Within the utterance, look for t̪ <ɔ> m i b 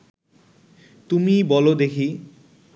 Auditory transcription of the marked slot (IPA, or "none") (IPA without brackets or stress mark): u